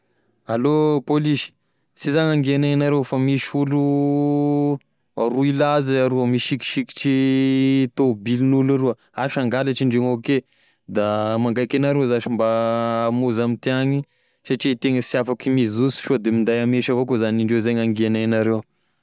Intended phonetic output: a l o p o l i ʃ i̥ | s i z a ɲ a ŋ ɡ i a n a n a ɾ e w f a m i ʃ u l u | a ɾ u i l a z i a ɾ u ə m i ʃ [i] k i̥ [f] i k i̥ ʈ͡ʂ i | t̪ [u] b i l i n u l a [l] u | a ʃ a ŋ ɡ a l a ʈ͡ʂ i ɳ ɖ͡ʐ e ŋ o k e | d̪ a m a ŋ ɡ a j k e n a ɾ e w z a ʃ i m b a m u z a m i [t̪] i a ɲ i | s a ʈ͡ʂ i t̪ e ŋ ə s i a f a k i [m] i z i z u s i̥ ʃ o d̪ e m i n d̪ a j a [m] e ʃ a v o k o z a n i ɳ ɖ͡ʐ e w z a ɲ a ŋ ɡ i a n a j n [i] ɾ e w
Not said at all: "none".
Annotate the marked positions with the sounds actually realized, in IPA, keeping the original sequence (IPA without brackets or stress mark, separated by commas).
i, ʃ, o, ɾ, t̪, m, m, a